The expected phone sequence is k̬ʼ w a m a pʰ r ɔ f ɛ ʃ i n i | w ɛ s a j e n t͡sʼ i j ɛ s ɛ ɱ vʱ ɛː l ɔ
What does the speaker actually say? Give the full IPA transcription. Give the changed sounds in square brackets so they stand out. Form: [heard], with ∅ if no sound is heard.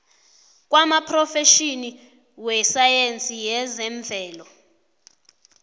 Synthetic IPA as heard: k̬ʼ w a m a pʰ r ɔ f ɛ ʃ i n i | w ɛ s a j e n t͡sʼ i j ɛ [z] ɛ ɱ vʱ ɛː l ɔ